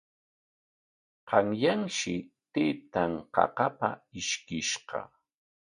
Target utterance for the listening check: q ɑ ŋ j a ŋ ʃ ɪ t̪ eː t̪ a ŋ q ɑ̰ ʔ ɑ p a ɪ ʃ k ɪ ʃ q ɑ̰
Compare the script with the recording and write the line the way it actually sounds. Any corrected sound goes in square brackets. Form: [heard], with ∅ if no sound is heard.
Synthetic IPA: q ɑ ŋ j a ŋ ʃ ɪ t̪ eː t̪ a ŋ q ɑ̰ [q] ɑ p a ɪ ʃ k ɪ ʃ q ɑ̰